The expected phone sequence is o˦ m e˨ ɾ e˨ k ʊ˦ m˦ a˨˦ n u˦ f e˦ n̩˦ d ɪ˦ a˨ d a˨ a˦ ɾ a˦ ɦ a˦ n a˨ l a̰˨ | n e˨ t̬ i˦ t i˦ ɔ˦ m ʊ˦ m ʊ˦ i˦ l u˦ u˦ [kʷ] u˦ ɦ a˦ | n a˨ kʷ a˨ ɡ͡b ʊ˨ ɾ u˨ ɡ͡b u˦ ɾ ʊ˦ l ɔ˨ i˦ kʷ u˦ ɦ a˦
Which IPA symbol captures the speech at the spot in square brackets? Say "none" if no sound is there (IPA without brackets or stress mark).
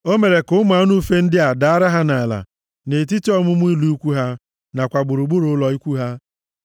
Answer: kʷ